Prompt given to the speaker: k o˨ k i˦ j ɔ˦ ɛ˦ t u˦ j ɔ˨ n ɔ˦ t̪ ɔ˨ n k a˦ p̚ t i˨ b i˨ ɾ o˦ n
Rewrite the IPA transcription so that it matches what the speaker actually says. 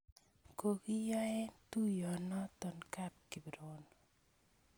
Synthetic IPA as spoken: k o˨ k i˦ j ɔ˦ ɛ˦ t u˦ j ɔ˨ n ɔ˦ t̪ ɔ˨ n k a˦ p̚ k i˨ b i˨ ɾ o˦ n

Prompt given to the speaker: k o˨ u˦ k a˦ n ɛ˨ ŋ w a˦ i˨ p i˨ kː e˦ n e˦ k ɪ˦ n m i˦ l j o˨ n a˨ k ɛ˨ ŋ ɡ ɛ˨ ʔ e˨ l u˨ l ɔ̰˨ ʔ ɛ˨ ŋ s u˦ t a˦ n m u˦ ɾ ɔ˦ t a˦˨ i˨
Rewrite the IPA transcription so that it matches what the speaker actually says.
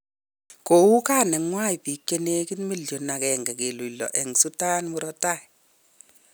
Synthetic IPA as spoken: k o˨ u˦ k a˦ n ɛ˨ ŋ w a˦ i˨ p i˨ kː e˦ n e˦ k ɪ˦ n m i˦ l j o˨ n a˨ k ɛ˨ ŋ ɡ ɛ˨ k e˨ l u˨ l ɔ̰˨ ʔ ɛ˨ ŋ s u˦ t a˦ n m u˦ ɾ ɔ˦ t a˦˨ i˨

